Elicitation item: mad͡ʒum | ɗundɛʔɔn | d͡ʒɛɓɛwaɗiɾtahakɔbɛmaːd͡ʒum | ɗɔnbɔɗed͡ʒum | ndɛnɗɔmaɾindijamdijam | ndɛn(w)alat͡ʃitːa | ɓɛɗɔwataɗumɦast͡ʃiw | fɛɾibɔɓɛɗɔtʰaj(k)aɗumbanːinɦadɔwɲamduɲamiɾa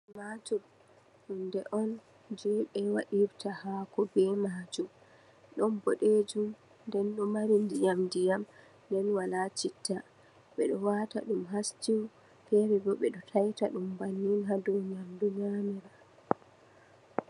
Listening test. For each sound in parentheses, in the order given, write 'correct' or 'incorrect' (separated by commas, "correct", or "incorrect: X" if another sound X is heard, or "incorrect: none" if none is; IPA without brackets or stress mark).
correct, incorrect: t